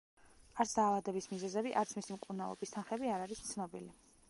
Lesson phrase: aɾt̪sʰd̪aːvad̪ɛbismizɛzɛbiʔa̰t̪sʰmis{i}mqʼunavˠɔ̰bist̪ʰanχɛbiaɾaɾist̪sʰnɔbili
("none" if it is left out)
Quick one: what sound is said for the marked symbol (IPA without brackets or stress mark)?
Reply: i